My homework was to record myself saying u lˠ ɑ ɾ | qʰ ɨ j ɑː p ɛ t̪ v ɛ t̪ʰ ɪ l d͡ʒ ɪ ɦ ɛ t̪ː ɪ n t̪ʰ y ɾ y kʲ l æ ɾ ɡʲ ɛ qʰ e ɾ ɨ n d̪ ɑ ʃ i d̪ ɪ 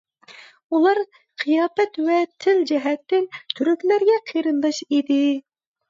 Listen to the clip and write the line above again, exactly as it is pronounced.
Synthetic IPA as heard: u lˠ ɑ ɾ | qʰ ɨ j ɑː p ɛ t̪ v ɛ t̪ʰ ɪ l d͡ʒ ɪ ɦ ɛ t̪ː ɪ n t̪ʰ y ɾ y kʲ l æ ɾ ɡʲ ɛ qʰ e ɾ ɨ n d̪ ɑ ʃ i d̪ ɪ